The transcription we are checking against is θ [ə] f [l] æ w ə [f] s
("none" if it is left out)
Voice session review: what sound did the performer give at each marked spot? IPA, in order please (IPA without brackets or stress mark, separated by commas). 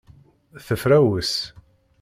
ə, ɾ, none